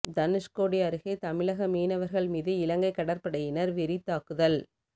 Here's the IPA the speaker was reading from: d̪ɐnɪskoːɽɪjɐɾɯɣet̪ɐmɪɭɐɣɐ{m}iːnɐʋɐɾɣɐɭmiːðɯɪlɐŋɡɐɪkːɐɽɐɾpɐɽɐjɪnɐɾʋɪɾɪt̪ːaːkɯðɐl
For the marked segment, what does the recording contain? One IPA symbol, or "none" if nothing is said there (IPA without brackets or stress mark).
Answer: m